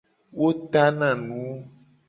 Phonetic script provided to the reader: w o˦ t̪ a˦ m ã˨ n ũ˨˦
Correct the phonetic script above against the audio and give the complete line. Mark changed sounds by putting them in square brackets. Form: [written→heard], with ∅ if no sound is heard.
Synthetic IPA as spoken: w o˦ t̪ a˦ [m→n] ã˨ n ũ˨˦